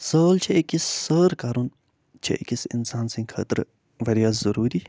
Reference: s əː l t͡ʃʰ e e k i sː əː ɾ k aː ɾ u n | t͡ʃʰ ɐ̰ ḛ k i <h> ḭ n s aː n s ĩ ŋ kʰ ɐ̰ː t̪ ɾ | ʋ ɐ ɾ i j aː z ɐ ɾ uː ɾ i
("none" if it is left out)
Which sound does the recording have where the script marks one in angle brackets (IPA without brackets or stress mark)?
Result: s